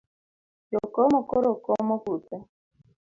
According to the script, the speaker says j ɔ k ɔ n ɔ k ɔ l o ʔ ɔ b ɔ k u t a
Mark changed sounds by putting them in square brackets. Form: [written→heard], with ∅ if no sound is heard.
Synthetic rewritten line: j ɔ k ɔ [n→m] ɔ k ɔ [l→ɾ] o [ʔ→k] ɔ [b→m] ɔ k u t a